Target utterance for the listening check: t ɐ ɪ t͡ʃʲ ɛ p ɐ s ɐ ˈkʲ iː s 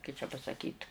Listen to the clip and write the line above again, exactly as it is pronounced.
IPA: k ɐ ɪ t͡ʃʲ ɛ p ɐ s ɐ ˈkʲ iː t